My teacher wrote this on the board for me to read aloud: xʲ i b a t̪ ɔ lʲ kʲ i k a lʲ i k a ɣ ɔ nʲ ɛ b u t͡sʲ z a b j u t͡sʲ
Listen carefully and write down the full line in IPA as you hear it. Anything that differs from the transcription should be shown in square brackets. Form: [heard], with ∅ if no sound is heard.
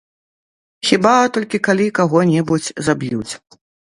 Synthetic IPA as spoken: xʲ i b a t̪ ɔ lʲ kʲ i k a lʲ i k a ɣ ɔ nʲ ɛ b u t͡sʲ z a b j u t͡sʲ